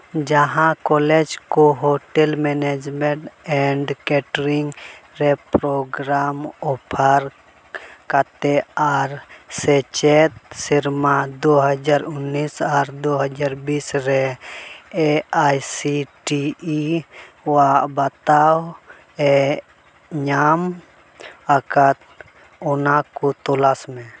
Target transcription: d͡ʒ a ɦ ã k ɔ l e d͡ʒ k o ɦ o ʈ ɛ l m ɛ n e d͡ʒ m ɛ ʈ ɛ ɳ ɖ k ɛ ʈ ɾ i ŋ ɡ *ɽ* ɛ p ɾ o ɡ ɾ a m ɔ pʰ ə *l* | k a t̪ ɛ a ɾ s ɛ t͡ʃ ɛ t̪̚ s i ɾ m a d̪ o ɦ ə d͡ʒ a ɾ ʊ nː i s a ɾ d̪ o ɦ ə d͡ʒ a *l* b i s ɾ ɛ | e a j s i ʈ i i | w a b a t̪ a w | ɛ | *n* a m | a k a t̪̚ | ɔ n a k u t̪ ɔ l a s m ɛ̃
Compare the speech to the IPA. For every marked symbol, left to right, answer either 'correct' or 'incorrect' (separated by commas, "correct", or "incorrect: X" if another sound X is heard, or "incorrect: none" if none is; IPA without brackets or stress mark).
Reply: incorrect: ɾ, incorrect: ɾ, incorrect: ɾ, incorrect: ɲ